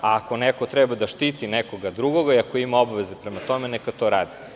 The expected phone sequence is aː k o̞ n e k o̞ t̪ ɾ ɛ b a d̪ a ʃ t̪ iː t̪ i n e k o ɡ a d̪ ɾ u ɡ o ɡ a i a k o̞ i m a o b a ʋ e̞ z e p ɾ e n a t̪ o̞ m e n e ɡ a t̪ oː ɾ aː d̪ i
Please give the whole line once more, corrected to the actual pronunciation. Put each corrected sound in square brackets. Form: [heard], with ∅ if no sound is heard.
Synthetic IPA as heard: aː k o̞ n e k o̞ t̪ ɾ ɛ b a d̪ a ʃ t̪ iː t̪ i n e k o ɡ a d̪ ɾ u ɡ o ɡ a i a k o̞ i m a o b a ʋ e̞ z e p ɾ e [m] a t̪ o̞ m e n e [k] a t̪ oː ɾ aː d̪ i